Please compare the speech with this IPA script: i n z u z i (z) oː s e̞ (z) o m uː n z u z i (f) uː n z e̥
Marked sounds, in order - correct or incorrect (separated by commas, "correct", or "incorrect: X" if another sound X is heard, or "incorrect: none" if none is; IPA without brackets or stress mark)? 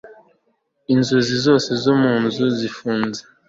correct, correct, correct